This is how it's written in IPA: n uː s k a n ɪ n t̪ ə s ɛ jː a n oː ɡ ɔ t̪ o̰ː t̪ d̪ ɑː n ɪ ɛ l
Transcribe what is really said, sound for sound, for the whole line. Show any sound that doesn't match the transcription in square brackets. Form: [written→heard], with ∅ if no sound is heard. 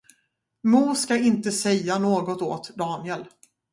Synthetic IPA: [n→m] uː s k a [n→∅] ɪ n t̪ ə s ɛ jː a n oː ɡ ɔ t̪ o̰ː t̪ d̪ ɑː n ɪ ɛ l